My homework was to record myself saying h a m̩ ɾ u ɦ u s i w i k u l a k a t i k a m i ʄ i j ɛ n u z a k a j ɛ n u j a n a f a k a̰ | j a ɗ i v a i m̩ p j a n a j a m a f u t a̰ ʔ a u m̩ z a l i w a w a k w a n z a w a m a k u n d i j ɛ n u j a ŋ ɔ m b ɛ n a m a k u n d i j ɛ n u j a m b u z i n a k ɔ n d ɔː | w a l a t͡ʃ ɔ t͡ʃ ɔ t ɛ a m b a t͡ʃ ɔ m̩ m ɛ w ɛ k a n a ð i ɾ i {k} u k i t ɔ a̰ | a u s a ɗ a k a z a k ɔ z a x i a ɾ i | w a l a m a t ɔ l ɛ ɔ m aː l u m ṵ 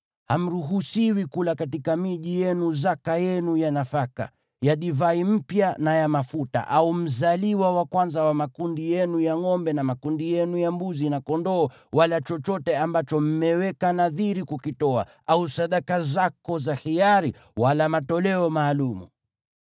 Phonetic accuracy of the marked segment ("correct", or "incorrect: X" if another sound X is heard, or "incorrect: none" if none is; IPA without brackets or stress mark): correct